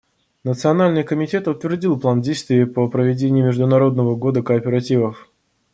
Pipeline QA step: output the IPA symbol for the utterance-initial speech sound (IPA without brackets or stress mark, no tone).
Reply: n